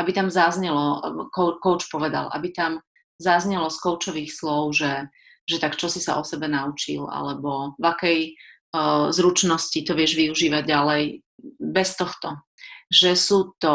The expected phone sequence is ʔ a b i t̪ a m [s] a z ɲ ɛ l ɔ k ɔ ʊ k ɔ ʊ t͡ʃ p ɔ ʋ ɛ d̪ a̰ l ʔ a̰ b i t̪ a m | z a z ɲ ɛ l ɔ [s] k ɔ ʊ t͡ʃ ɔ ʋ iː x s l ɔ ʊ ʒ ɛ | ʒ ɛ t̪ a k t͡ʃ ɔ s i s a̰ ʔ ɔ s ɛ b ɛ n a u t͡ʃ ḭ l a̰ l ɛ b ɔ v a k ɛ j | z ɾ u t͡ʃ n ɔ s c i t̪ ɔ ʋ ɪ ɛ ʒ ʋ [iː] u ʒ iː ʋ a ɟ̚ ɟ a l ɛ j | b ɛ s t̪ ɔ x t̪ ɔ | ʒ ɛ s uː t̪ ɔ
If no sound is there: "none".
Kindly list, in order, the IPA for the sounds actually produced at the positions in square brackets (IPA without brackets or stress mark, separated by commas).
z, s, i